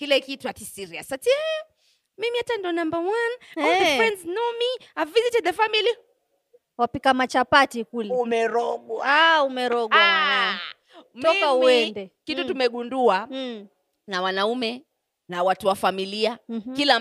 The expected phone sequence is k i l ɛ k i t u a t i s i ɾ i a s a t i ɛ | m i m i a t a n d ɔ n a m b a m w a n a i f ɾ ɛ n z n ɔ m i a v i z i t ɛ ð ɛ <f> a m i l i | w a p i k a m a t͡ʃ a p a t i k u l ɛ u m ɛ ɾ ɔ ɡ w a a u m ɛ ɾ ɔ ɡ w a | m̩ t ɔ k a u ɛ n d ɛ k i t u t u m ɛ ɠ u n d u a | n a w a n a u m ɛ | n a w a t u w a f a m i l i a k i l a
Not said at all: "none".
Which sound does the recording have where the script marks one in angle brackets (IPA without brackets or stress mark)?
f